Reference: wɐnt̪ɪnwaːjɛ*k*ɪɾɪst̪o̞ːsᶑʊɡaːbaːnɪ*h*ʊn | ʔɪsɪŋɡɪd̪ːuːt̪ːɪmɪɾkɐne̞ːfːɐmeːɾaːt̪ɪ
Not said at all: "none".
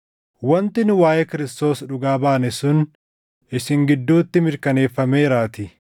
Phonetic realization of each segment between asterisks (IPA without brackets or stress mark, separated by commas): k, s